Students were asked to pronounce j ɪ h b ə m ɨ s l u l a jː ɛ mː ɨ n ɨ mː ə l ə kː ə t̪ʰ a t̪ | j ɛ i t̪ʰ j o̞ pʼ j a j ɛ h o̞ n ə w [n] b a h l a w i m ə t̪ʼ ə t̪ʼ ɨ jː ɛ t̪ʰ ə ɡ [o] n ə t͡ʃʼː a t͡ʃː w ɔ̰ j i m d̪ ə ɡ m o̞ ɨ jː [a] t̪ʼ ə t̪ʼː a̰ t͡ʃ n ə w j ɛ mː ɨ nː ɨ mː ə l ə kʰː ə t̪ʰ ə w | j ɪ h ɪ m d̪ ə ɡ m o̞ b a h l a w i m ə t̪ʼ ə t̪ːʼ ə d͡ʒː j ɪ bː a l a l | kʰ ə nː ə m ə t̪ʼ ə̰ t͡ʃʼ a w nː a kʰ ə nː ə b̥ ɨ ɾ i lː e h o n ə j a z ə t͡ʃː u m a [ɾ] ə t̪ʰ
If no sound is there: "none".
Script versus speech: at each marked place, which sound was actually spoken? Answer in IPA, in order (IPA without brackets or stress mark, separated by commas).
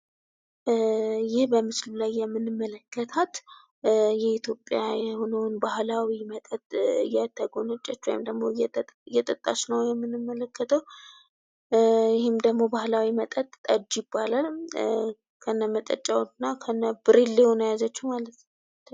n, o, ɛ, l